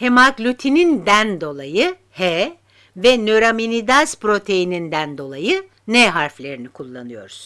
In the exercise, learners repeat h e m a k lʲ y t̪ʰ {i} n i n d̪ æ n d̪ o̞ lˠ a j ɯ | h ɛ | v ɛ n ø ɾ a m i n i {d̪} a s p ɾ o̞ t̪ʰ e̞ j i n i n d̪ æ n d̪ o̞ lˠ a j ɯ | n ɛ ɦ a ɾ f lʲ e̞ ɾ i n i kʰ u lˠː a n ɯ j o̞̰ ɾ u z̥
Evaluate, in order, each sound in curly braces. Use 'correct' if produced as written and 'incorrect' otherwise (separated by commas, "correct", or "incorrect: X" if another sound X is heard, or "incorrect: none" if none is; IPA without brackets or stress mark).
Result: correct, correct